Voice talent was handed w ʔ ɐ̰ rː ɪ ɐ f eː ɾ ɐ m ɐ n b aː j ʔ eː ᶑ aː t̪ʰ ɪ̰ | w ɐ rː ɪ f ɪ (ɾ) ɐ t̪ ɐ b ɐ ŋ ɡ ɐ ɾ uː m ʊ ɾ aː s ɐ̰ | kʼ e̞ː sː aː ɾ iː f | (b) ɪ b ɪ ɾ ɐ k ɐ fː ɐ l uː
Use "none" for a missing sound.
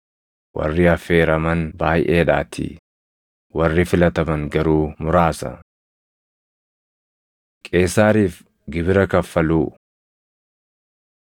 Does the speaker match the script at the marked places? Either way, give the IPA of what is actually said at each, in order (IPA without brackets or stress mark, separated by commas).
l, ɡ